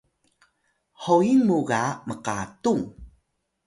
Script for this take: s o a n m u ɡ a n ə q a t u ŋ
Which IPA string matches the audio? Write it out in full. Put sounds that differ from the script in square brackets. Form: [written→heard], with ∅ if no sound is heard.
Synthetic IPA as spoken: [s→h] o [a→i] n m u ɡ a [n→m] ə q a t u ŋ